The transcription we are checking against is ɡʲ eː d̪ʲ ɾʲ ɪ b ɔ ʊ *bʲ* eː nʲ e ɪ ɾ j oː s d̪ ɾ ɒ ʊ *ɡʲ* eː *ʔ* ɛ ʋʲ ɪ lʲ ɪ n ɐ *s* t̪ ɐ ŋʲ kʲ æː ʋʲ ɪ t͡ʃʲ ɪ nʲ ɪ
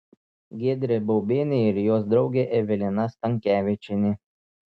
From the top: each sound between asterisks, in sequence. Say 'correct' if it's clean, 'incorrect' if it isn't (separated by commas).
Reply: correct, correct, correct, correct